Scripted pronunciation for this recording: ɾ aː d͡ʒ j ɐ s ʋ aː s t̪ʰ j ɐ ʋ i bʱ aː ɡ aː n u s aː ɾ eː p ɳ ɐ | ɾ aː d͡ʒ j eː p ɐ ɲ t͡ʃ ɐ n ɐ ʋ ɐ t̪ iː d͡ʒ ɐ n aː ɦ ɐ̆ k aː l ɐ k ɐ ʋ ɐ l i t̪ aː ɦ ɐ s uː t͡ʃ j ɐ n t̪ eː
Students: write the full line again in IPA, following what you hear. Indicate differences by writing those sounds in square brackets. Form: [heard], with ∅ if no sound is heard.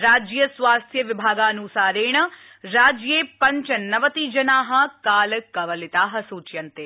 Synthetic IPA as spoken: ɾ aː d͡ʒ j ɐ s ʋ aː s t̪ʰ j ɐ ʋ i bʱ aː ɡ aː n u s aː ɾ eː [∅] ɳ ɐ | ɾ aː d͡ʒ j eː p ɐ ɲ t͡ʃ ɐ n ɐ ʋ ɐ t̪ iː d͡ʒ ɐ n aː ɦ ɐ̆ k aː l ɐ k ɐ ʋ ɐ l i t̪ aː ɦ ɐ s uː t͡ʃ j ɐ n t̪ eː